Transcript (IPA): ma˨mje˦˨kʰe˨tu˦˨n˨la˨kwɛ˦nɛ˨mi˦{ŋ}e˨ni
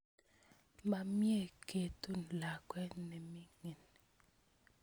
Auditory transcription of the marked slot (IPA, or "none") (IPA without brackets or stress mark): ŋ